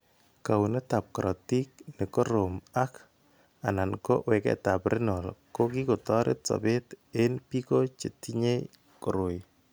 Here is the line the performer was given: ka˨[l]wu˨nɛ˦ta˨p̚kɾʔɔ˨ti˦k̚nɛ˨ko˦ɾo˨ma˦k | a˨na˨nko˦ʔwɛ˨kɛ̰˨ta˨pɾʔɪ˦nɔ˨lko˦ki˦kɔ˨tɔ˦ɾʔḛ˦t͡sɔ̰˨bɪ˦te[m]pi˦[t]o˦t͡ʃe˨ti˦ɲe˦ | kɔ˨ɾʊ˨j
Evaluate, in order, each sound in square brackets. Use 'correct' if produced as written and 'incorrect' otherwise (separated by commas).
incorrect, incorrect, incorrect